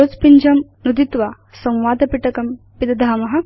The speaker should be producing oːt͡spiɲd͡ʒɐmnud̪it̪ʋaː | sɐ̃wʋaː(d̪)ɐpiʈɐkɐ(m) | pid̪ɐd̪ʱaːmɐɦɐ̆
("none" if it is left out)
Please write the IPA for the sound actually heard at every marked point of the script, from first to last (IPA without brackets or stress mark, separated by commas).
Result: d̪, m